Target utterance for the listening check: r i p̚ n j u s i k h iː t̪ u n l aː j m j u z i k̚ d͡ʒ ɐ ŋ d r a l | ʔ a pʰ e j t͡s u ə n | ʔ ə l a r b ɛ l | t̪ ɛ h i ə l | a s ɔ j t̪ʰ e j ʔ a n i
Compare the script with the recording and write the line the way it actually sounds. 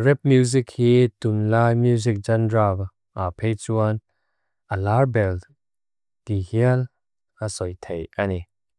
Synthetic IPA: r ɛ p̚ m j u z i k h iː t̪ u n l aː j m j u z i k̚ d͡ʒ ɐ n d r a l | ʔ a pʰ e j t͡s u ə n | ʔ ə l a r b ɛ l | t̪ i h i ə l | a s ɔ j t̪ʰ e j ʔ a n i